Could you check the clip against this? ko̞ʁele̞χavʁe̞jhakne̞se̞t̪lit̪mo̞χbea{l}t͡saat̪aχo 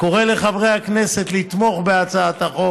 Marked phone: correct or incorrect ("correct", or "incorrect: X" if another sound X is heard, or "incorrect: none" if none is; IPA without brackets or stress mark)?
incorrect: none